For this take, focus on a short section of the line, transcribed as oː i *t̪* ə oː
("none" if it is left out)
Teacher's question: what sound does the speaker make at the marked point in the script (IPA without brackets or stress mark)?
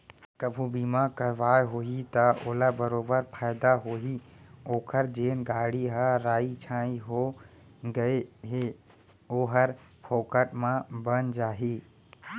t̪